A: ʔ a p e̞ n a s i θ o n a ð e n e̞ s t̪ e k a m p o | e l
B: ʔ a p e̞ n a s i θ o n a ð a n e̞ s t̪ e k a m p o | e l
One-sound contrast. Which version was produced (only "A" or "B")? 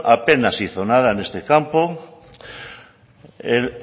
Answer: B